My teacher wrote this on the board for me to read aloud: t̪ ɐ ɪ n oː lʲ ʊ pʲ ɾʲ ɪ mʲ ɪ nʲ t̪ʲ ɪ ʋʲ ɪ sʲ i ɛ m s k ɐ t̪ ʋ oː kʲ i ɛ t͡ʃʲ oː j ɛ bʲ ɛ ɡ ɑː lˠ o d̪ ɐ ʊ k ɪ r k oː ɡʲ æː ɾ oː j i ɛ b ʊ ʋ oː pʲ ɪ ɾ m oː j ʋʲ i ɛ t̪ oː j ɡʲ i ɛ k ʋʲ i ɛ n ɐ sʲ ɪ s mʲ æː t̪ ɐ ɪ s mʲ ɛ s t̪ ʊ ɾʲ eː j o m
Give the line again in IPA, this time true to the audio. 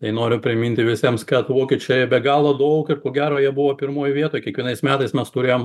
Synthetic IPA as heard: t̪ ɐ ɪ n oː ɾʲ ʊ pʲ ɾʲ ɪ mʲ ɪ nʲ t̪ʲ ɪ ʋʲ ɪ sʲ i ɛ m s k ɐ t̪ ʋ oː kʲ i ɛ t͡ʃʲ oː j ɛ bʲ ɛ ɡ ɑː lˠ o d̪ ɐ ʊ k ɪ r k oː ɡʲ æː ɾ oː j i ɛ b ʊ ʋ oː pʲ ɪ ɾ m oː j ʋʲ i ɛ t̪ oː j kʲ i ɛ k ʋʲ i ɛ n ɐ ɪ s mʲ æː t̪ ɐ ɪ s mʲ ɛ s t̪ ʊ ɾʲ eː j o m